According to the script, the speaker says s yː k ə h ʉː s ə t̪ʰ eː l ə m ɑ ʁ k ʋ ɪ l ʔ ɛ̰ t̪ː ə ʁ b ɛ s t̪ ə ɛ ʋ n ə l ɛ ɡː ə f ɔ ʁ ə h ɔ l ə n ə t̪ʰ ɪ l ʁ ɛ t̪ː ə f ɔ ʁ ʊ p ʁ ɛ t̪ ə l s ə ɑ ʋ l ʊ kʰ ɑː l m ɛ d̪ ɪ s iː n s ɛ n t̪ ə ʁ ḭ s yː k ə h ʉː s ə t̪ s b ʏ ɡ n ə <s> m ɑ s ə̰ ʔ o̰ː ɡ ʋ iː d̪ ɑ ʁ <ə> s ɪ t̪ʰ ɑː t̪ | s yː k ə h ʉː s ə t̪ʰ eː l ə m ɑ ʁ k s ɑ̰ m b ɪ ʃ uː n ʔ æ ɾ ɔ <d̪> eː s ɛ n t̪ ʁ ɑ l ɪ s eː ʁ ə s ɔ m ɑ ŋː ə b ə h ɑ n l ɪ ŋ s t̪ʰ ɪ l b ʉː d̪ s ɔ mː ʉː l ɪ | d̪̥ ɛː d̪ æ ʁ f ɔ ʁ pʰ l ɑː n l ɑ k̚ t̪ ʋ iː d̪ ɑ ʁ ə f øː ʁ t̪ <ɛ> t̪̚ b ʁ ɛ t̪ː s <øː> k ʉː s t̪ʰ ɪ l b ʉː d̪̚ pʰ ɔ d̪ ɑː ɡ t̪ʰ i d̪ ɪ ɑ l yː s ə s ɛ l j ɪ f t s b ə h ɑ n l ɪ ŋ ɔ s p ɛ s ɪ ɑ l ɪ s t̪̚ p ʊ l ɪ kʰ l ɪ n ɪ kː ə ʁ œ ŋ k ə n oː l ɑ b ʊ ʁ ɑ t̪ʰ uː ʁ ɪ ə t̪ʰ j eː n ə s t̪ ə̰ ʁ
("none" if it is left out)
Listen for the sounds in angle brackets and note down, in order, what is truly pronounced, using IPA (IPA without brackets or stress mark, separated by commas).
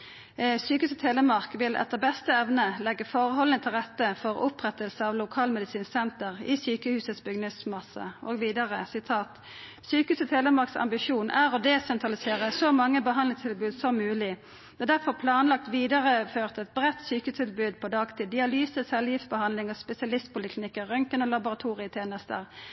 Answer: s, ə, d̪, ɛ, yː